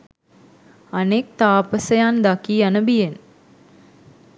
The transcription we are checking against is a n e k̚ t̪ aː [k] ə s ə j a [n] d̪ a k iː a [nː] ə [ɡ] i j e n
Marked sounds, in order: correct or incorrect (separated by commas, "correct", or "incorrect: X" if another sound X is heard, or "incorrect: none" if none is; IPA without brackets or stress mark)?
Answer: incorrect: p, correct, incorrect: n, incorrect: b